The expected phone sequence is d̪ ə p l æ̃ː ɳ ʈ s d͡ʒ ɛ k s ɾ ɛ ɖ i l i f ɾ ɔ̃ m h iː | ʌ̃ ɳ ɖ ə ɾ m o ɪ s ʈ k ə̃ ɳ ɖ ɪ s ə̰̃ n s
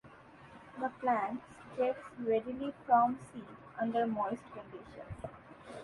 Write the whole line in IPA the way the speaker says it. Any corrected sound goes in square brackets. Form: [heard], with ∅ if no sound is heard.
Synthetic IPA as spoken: d̪ ə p l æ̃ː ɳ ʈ s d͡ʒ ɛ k s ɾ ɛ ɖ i l i f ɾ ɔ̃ m [s] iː | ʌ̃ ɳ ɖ ə ɾ m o ɪ s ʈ k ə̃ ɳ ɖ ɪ [ʃ] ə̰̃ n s